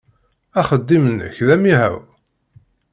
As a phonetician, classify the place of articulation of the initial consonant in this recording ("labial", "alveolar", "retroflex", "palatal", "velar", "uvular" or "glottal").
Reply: uvular